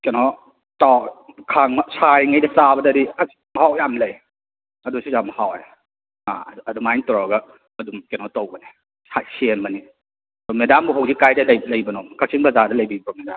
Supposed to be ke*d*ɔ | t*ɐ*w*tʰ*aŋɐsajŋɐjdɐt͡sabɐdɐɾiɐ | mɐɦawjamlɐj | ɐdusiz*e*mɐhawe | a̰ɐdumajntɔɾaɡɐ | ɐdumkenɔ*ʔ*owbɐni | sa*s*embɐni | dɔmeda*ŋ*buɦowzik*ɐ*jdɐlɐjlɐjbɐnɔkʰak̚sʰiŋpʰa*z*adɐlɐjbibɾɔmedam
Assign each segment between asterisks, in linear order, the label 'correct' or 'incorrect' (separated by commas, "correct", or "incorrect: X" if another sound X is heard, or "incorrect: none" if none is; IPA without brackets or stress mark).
incorrect: n, incorrect: a, incorrect: kʰ, incorrect: a, incorrect: t, correct, incorrect: m, incorrect: a, correct